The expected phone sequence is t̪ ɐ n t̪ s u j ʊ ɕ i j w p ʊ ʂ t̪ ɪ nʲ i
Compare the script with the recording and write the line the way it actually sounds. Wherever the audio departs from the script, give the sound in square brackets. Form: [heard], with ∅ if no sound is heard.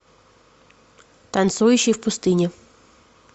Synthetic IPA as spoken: t̪ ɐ n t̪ s u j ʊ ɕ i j w p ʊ [s] t̪ ɪ nʲ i